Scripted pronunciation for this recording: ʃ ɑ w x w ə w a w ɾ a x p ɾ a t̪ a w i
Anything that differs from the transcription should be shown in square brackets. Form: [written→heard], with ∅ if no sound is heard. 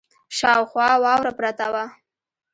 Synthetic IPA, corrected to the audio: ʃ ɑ w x w [ə→ɑ] w [a→ɑ] w ɾ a [x→∅] p ɾ a t̪ a w [i→a]